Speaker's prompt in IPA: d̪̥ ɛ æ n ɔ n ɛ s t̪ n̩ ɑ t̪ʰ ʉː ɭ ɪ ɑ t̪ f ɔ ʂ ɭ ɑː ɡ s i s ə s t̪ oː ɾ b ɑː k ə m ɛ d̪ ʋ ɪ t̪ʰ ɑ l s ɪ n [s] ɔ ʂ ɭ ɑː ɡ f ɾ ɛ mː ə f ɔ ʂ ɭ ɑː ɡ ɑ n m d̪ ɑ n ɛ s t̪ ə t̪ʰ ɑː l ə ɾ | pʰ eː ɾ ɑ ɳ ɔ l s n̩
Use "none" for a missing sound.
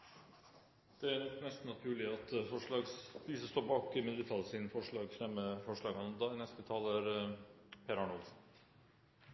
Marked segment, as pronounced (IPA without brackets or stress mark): f